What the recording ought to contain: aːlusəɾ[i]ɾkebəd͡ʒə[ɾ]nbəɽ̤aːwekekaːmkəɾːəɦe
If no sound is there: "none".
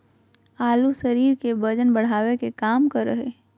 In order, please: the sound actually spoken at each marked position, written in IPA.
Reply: iː, none

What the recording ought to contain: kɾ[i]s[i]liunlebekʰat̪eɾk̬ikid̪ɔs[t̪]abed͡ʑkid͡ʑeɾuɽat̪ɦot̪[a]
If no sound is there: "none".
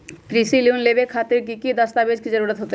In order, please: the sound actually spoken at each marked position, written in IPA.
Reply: i, i, t̪, e

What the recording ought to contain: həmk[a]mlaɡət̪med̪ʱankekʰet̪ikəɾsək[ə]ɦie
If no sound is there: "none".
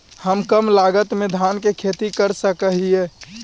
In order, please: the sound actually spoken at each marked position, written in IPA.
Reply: ə, ə

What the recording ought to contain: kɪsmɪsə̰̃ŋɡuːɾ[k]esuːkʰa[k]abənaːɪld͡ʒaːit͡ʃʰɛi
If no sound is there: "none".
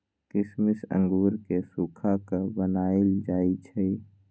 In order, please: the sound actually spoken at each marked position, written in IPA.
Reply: k, k

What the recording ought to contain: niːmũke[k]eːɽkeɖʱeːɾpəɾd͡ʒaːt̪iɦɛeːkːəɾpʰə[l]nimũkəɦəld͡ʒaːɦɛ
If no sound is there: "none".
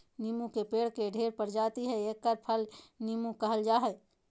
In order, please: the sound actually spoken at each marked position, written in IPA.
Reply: p, l

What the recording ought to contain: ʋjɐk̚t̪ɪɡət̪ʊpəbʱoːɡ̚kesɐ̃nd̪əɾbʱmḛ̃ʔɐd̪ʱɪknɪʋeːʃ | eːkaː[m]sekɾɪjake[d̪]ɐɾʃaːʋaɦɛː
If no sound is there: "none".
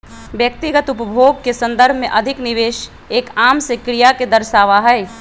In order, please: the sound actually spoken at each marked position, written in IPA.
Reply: m, d̪

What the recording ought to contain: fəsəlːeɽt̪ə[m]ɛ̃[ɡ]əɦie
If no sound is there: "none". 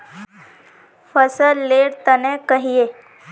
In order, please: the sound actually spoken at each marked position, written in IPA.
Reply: n, k

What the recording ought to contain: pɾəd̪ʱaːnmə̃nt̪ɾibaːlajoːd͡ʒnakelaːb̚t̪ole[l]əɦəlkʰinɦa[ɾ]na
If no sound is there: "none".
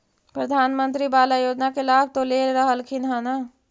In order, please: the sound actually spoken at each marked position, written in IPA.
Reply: ɾ, none

